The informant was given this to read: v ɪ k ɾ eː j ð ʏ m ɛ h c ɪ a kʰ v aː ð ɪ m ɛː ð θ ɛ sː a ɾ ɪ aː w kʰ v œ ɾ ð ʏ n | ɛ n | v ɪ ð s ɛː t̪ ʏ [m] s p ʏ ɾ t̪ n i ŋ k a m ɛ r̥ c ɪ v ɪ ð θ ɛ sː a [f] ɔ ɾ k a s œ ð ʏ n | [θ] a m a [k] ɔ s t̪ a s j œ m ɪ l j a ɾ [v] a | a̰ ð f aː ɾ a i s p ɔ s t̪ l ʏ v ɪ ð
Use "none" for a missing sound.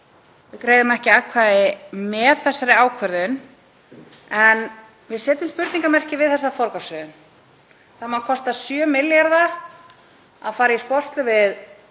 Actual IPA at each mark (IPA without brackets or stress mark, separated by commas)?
m, f, θ, kʰ, ð